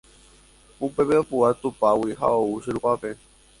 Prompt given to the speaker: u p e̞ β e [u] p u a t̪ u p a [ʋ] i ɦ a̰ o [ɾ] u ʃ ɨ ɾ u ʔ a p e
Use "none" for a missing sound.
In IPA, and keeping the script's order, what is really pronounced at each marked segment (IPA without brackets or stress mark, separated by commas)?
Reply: o, w, none